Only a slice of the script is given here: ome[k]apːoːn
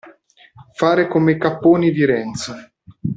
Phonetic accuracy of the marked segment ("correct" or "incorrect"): correct